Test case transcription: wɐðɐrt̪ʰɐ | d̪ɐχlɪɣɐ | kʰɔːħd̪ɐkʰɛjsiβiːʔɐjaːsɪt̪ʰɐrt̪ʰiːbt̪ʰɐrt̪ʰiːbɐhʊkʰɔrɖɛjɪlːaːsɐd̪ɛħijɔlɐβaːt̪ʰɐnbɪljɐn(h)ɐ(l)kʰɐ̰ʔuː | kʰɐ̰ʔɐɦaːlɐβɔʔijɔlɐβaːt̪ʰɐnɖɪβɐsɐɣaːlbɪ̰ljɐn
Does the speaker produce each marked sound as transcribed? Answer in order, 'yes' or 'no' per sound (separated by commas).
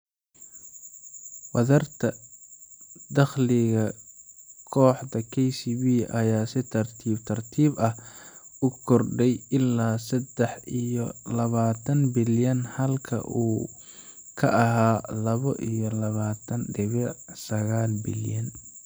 yes, yes